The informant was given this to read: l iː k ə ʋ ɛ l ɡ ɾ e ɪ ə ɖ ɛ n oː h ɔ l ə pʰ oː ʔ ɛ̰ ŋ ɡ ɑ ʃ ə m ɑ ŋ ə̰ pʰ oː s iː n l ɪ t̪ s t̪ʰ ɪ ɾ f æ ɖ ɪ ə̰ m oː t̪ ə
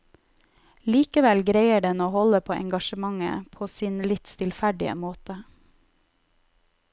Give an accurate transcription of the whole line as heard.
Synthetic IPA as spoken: l iː k ə ʋ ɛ l ɡ ɾ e ɪ ə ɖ ɛ n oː h ɔ l ə pʰ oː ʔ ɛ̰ ŋ ɡ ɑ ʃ ə m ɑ ŋ ə̰ pʰ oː s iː n l ɪ t̪ s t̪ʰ ɪ l f æ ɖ ɪ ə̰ m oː t̪ ə